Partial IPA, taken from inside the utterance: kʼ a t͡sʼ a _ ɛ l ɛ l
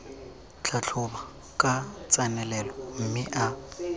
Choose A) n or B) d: A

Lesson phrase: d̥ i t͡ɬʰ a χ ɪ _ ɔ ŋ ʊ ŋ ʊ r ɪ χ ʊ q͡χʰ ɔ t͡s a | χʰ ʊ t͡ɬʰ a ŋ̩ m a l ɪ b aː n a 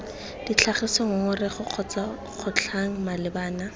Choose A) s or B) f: A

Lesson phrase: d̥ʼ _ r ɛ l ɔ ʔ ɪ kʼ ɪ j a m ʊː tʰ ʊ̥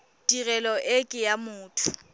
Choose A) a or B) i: B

